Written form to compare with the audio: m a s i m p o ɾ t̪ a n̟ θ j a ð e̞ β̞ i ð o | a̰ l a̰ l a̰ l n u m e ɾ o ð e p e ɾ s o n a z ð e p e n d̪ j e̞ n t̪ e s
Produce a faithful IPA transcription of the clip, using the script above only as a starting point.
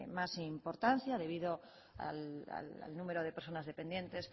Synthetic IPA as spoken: m a s i m p o ɾ t̪ a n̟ θ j a ð e̞ β̞ i ð o | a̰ l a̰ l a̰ l n u m e ɾ o ð e p e ɾ s o n a z ð e p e n d̪ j e̞ n t̪ e s